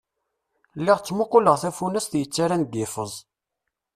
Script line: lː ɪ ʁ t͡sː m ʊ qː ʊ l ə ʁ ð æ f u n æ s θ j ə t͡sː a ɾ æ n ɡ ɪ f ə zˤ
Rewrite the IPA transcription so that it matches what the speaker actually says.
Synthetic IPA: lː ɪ ʁ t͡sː m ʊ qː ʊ l ə ʁ θ æ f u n æ s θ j ə t͡sː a ɾ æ n ɡ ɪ f ə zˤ